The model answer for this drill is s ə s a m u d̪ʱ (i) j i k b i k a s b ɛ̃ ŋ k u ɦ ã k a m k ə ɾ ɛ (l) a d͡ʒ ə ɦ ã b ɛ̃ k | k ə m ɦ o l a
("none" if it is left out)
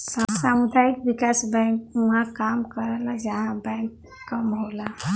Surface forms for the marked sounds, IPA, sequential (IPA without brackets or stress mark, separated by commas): a, l